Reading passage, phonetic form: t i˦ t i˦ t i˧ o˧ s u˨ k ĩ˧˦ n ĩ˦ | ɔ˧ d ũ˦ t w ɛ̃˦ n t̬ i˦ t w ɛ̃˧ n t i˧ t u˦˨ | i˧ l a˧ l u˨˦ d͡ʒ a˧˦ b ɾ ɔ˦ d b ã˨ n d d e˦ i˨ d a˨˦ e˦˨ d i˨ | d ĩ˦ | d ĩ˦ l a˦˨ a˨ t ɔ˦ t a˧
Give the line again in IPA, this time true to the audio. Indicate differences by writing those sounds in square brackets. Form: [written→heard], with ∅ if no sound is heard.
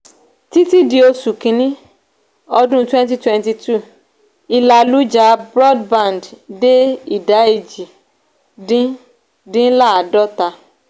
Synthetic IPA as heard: t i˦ t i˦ [t→d] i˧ o˧ s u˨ k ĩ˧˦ n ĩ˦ | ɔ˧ d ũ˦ t w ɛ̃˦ n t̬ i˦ t w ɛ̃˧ n t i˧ t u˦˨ | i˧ l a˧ l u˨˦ d͡ʒ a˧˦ b ɾ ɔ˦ d b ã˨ n d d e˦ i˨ d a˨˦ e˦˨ [d→d͡ʒ] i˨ | d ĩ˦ | d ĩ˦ l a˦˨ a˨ [t→d] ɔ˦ t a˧